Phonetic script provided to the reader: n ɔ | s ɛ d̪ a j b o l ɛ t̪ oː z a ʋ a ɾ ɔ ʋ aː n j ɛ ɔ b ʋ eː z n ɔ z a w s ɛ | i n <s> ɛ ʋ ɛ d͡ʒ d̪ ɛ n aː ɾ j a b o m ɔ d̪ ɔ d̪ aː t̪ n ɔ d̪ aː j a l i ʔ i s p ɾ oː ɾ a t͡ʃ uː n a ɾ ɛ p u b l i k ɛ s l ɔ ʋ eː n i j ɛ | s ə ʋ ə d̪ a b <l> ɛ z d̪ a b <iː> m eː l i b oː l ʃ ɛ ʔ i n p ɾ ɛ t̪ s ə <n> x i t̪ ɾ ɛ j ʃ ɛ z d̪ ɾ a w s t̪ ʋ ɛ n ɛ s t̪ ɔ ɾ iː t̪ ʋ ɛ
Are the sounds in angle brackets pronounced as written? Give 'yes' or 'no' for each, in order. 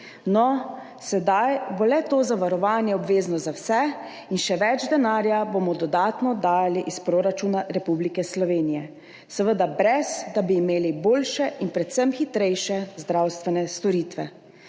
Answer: no, no, yes, no

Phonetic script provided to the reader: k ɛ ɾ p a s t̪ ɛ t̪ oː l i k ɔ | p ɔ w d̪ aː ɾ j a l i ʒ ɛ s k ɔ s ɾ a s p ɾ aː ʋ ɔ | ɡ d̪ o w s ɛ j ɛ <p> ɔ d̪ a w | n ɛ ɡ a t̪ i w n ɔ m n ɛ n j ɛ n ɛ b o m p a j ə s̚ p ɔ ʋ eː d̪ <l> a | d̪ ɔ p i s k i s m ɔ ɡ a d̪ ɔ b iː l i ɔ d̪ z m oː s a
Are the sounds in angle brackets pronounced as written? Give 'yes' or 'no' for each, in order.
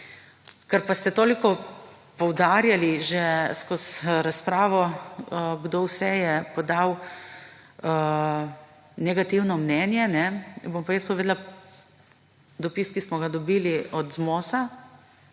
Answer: yes, yes

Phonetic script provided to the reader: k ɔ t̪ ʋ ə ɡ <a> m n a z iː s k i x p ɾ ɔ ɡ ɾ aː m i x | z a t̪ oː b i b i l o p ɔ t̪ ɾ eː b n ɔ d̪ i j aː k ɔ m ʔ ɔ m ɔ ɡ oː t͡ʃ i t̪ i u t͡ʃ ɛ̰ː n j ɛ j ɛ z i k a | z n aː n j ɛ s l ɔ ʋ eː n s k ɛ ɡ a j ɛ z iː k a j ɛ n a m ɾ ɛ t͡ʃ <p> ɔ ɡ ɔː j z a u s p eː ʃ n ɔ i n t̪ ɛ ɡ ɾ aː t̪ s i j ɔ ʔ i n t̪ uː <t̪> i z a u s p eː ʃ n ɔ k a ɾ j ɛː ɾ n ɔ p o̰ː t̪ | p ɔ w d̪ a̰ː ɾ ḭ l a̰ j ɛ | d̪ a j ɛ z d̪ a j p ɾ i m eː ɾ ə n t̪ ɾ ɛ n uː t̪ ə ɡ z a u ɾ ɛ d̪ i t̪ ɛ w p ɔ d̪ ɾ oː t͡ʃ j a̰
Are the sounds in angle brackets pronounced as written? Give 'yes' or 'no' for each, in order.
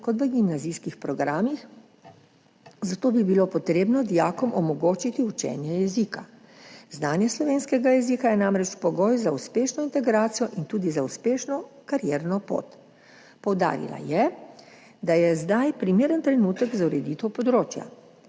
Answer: no, yes, no

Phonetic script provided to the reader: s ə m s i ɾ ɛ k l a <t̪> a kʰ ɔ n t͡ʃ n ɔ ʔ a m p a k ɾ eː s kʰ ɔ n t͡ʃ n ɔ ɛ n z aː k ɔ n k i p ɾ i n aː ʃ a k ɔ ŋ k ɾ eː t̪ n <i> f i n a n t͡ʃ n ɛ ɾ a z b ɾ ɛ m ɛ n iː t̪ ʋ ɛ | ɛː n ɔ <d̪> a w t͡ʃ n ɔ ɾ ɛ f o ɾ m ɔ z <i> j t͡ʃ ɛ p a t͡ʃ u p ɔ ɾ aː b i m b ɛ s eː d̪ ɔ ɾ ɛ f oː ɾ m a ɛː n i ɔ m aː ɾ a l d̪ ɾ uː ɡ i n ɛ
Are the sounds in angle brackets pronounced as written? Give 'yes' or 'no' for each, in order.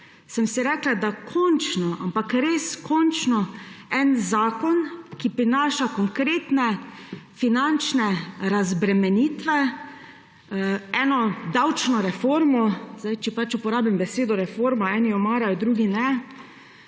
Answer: no, no, yes, no

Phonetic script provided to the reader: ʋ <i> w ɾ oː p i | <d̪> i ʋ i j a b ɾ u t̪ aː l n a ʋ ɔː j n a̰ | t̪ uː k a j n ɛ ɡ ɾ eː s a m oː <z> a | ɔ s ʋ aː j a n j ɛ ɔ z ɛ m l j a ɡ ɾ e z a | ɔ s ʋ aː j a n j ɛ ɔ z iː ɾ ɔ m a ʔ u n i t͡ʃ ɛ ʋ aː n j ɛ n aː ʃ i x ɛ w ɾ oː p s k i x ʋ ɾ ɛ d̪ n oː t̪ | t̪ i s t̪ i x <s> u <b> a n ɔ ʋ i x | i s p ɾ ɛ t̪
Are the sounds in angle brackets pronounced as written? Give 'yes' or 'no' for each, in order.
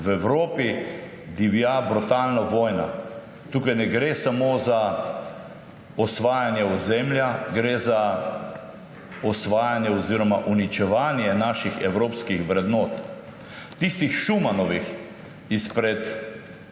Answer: no, yes, yes, no, no

